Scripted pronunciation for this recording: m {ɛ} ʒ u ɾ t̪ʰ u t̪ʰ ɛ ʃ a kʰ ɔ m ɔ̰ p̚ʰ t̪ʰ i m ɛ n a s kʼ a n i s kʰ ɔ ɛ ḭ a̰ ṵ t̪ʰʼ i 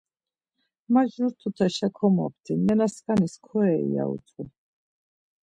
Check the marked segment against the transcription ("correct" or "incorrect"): incorrect